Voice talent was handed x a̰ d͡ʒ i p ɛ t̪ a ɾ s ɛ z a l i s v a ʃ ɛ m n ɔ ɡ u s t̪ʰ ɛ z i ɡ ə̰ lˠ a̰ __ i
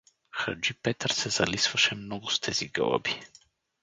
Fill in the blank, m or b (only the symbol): b